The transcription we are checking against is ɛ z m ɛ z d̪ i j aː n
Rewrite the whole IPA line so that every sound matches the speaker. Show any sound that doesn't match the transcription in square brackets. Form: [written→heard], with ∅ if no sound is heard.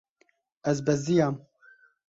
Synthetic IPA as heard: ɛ z [m→b] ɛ z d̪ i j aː [n→m]

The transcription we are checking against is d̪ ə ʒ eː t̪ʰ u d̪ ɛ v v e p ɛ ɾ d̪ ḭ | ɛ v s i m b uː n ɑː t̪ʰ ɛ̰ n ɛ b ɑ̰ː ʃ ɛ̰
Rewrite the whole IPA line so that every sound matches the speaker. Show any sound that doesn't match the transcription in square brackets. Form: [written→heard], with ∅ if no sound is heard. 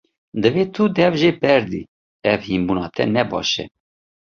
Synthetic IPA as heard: d̪ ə [ʒ→v] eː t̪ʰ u d̪ ɛ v [v→ʒ] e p ɛ ɾ d̪ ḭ | ɛ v [s→h] i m b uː n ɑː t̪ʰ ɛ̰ n ɛ b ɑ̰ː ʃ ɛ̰

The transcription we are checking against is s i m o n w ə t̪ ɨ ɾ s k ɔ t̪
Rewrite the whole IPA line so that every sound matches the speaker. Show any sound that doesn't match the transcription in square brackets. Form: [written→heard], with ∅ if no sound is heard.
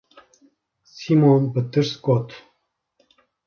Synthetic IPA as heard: s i m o n [w→b] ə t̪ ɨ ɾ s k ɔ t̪

